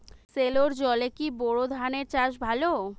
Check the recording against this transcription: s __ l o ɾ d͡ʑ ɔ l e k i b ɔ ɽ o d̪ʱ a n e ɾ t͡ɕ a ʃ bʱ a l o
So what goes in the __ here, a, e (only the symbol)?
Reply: e